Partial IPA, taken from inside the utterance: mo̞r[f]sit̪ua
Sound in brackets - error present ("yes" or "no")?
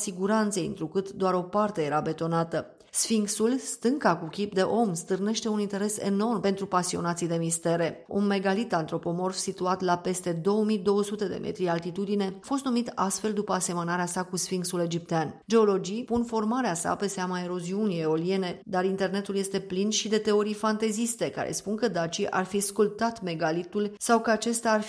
no